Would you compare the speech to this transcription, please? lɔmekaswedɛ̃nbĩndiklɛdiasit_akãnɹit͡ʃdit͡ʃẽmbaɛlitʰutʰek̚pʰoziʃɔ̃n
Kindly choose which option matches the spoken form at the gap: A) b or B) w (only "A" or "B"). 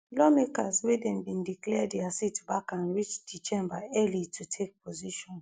A